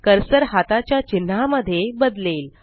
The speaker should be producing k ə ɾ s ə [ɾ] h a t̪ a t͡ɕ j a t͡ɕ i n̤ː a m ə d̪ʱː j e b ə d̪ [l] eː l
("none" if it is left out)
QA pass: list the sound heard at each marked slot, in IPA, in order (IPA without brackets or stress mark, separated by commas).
ɾ, l